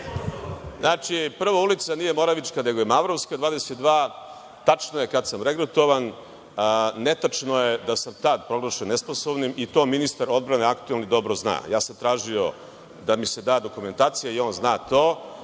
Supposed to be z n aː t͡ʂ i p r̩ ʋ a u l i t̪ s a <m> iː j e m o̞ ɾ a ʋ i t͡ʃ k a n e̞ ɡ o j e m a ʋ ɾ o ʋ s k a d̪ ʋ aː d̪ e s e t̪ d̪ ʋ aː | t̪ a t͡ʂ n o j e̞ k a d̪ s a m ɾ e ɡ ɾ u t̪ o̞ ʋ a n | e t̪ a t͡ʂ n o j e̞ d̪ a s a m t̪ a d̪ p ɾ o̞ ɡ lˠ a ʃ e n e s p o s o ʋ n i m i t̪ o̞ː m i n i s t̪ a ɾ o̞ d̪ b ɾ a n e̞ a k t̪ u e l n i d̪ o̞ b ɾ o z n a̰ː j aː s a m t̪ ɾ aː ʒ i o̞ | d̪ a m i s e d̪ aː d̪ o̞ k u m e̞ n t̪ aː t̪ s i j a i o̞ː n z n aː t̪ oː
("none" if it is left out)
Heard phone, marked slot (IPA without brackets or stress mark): n